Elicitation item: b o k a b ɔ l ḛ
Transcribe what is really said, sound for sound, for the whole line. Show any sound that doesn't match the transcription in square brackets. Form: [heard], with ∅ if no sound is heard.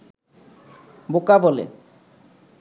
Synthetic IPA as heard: b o k a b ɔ l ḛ